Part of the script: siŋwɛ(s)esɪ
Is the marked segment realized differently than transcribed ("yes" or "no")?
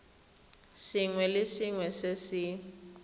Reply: no